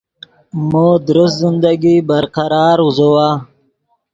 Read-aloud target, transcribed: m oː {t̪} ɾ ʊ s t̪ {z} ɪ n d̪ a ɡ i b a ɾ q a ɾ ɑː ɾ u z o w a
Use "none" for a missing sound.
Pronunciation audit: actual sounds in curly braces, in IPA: d̪, z

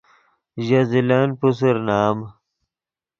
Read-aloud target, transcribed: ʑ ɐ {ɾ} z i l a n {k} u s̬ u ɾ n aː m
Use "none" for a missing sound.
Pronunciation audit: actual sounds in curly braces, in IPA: none, p

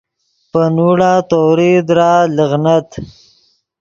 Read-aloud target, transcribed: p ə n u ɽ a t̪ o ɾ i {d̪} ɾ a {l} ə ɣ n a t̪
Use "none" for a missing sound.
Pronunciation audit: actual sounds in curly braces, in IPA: d̪, l

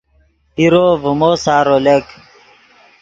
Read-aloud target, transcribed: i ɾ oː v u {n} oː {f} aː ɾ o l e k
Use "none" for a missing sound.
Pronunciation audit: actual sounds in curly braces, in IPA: m, s

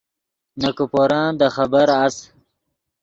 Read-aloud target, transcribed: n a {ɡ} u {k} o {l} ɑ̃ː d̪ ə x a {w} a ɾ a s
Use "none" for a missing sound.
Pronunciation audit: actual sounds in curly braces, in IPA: k, p, ɾ, b

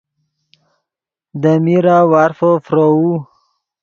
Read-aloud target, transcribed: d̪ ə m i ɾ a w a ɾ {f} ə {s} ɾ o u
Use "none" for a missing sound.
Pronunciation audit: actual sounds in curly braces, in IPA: f, f

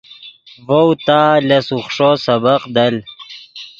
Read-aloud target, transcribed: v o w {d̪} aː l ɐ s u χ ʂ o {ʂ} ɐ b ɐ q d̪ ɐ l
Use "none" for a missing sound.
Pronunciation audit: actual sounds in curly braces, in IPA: t̪, s

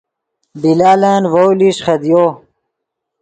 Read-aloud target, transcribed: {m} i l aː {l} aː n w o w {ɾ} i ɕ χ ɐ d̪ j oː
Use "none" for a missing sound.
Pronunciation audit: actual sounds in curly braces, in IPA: b, l, l

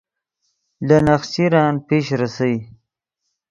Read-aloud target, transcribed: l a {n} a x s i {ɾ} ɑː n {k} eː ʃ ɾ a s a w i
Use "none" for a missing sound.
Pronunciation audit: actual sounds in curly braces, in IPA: n, ɾ, p

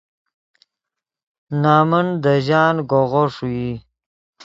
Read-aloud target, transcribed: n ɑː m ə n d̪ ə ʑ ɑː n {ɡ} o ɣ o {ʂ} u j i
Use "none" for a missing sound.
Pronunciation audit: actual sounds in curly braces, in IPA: ɡ, ʂ

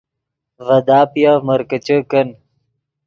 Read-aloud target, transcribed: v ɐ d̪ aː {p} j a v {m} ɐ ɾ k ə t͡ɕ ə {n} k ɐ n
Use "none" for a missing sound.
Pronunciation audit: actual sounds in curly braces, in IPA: p, m, none

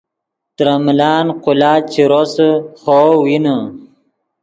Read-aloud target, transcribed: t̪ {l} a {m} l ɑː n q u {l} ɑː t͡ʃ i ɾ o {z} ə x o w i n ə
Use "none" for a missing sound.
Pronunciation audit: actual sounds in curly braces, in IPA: ɾ, m, l, s

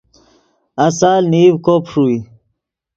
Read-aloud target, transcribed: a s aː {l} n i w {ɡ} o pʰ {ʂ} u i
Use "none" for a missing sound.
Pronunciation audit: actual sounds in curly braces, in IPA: l, k, ʂ

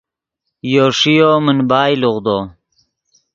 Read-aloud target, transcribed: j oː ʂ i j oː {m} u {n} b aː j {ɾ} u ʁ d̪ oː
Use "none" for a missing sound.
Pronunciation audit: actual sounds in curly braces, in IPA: m, n, l

